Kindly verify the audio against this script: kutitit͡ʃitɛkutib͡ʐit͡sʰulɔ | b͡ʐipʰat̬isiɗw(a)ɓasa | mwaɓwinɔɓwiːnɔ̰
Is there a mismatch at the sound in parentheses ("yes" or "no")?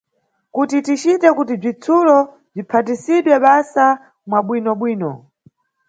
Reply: yes